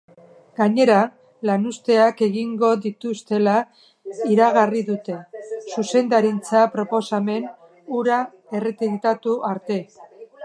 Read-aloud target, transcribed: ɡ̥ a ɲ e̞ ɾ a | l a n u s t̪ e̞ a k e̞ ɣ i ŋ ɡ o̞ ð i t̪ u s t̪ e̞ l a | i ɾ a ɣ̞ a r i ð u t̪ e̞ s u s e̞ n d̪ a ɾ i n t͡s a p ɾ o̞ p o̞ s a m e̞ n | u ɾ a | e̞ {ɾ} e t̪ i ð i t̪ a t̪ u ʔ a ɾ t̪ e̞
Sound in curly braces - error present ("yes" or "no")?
yes